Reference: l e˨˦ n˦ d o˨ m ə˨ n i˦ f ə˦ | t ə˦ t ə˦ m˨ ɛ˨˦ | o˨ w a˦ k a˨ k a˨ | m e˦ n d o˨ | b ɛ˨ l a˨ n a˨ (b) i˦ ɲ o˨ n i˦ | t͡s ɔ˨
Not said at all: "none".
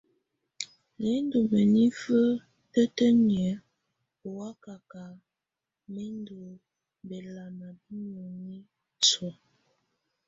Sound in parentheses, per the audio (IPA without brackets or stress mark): b